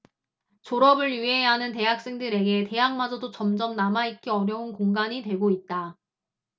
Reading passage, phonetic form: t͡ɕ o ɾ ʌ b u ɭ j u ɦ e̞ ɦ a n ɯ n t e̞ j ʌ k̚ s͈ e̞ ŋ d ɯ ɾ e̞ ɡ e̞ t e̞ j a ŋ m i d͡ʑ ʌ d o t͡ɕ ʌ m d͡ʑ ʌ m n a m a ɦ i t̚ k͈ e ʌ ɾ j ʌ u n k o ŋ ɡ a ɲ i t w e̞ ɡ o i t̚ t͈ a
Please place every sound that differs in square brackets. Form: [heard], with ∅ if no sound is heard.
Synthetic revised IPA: t͡ɕ o ɾ ʌ b [ɯ] ɭ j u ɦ e̞ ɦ a n ɯ n t e̞ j [a] k̚ s͈ e̞ ŋ d ɯ ɾ e̞ ɡ e̞ t e̞ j a ŋ m [a] d͡ʑ ʌ d o t͡ɕ ʌ m d͡ʑ ʌ m n a m a [∅] i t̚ k͈ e ʌ ɾ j ʌ u n k o ŋ ɡ a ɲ i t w e̞ ɡ o i t̚ t͈ a